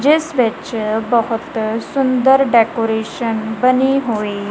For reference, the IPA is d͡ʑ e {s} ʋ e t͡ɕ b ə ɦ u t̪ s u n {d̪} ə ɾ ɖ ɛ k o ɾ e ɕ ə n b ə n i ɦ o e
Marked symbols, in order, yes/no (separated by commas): yes, yes